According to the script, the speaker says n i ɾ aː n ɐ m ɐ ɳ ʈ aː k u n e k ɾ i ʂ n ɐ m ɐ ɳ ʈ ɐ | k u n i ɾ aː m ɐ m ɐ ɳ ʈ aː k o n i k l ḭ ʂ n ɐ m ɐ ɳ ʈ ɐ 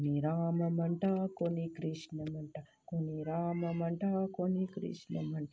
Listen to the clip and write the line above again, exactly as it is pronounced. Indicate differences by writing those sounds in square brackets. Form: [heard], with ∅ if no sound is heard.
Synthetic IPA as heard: n i ɾ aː [m] ɐ m ɐ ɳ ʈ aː k [o] n [i] k ɾ i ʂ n ɐ m ɐ ɳ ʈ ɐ | k [o] n i ɾ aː m ɐ m ɐ ɳ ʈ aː k o n i k [ɾ] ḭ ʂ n ɐ m ɐ ɳ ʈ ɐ